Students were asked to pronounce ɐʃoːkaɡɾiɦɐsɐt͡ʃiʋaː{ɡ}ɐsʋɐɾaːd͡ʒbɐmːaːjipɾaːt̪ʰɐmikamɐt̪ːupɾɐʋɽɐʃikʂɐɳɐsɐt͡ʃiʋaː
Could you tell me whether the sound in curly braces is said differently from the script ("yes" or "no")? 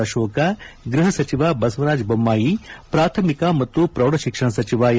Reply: yes